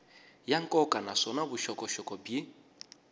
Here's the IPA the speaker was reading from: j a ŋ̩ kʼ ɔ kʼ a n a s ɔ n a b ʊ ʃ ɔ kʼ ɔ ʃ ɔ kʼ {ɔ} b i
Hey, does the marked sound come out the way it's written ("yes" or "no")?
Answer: yes